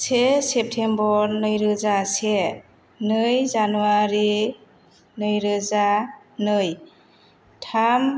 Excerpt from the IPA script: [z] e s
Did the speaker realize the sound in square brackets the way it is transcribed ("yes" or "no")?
no